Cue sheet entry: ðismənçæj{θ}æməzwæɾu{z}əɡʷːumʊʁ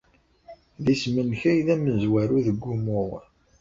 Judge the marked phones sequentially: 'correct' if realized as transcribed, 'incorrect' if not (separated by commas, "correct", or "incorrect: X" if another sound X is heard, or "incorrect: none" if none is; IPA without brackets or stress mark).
incorrect: ð, incorrect: ð